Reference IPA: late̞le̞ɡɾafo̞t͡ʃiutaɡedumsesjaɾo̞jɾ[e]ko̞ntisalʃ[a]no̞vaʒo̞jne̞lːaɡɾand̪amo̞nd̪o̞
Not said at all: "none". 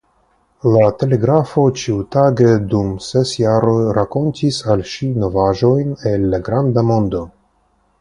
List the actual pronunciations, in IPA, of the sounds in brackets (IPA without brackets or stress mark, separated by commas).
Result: a, i